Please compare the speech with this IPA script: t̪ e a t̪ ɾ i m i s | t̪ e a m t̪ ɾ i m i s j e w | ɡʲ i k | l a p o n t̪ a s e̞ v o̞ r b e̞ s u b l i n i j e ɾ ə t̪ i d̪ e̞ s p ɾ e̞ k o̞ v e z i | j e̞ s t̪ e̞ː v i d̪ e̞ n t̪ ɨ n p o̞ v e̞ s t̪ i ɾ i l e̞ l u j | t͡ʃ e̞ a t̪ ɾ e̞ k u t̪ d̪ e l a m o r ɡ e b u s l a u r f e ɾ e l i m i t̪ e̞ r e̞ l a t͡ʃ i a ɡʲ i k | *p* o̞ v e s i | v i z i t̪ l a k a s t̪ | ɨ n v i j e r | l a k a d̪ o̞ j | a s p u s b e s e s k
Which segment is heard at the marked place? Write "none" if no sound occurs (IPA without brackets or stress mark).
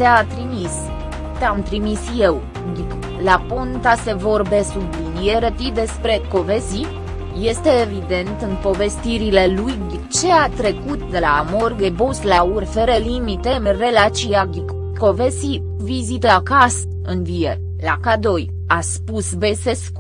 k